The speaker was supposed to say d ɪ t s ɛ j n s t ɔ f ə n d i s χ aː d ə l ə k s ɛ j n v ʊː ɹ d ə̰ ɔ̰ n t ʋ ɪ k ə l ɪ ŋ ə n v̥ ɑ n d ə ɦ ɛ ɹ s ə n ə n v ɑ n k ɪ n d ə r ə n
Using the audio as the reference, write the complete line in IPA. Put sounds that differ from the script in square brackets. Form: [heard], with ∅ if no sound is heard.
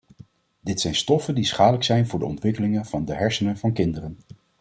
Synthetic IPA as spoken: d ɪ t s ɛ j n s t ɔ f ə n d i s χ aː d ə l ə k s ɛ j n v ʊː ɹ d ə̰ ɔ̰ n t ʋ ɪ k ə l ɪ ŋ ə n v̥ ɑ n d ə ɦ ɛ ɹ s ə n ə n v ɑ n k ɪ n d ə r ə n